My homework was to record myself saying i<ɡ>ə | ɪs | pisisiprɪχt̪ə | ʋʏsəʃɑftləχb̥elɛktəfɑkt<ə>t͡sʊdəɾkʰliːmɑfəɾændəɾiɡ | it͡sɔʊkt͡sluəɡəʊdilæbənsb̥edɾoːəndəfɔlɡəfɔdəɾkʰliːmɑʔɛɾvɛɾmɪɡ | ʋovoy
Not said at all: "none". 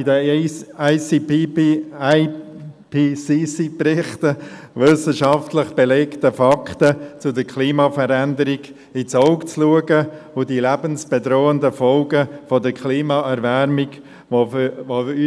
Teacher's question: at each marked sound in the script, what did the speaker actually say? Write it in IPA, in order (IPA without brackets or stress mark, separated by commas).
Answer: d, ə